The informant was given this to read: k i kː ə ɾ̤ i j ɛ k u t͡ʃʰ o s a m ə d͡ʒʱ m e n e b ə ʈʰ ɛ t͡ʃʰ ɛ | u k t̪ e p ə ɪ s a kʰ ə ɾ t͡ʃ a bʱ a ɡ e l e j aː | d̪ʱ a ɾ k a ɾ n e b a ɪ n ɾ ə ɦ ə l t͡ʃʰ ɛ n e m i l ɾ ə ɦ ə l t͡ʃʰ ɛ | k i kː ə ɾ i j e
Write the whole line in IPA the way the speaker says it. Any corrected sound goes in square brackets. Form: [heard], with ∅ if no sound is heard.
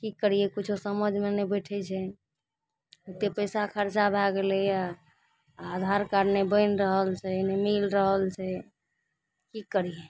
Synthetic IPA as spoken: k i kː ə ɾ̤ i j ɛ k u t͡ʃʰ o s [ə] m ə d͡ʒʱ m e n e b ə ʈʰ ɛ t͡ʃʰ ɛ | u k t̪ e p ə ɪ s a kʰ ə ɾ t͡ʃ a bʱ a ɡ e l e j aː | d̪ʱ a ɾ k a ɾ n e b [ə] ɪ n ɾ ə ɦ ə l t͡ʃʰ ɛ n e m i l ɾ ə ɦ ə l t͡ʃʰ ɛ | k i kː ə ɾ i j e